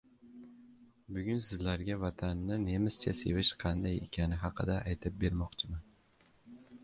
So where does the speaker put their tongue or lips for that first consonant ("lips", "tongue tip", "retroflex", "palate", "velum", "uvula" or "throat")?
lips